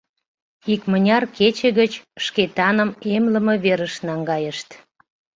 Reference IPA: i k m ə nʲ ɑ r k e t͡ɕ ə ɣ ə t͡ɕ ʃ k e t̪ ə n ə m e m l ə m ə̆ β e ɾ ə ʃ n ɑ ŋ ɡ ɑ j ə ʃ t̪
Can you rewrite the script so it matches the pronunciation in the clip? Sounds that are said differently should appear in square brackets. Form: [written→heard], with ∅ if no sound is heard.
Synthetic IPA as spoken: i k m ə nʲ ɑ r k e t͡ɕ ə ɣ ə t͡ɕ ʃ k e t̪ [ə→ɑ] n ə m e m l ə m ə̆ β e ɾ ə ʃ n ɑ ŋ ɡ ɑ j ə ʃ t̪